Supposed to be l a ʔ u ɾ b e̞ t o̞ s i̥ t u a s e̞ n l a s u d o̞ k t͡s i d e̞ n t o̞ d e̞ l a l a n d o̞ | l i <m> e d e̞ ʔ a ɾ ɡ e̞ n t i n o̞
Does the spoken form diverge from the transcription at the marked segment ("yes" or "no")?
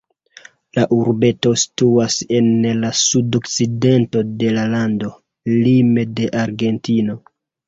no